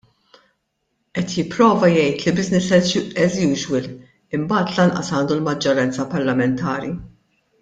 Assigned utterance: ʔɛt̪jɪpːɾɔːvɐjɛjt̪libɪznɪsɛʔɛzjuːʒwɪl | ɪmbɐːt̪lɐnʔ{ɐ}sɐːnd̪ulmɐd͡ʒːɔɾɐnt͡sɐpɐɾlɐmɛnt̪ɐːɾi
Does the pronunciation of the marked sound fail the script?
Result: no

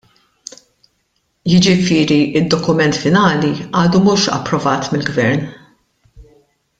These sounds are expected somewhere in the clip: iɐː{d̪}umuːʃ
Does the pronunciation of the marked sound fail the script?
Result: no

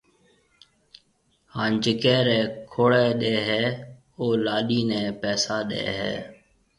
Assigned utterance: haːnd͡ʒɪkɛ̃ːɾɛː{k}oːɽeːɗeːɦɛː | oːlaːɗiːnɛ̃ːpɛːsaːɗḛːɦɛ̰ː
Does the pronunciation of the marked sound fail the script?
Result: yes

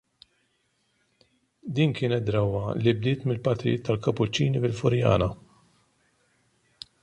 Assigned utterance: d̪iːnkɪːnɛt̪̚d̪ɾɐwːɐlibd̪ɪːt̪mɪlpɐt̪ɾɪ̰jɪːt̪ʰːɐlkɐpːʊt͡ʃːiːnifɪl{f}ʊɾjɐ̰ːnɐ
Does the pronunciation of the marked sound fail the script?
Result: no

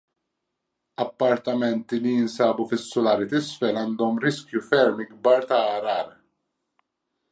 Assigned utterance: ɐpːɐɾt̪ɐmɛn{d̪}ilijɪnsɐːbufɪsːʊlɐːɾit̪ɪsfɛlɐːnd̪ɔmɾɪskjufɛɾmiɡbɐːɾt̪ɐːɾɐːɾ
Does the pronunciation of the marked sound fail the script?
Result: yes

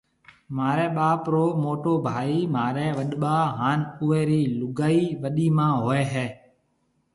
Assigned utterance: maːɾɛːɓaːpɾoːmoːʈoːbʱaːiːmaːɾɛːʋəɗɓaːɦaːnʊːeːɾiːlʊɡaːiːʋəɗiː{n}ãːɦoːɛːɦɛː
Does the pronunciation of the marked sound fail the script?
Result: yes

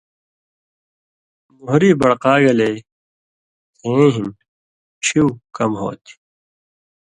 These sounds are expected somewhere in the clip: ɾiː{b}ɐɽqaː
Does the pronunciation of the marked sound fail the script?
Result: no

